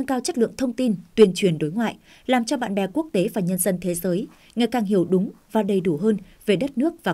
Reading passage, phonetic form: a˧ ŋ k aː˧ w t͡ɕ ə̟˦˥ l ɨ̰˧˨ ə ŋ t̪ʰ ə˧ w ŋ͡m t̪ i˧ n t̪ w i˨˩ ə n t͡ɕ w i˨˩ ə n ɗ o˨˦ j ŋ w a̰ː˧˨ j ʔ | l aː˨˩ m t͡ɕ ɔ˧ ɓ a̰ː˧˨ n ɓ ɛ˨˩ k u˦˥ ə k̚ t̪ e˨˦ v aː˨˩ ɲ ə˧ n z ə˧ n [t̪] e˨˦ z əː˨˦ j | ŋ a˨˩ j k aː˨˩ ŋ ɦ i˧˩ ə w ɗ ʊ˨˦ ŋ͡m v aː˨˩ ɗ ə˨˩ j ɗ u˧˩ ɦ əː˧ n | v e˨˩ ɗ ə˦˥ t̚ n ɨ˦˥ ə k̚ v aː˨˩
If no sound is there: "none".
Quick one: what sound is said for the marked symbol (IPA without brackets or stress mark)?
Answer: t̪ʰ